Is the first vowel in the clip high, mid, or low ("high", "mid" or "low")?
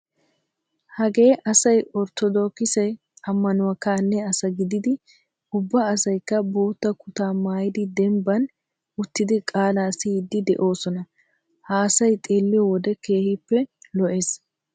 low